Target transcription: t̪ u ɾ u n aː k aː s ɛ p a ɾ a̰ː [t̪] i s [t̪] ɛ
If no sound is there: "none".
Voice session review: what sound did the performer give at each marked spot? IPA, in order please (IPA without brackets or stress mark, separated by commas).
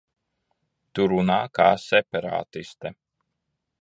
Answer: t̪, t̪